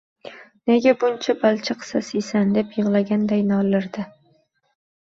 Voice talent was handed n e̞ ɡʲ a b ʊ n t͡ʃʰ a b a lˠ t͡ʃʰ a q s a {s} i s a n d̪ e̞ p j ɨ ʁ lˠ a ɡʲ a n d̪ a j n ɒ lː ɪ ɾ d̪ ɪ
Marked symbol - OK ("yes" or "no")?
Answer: yes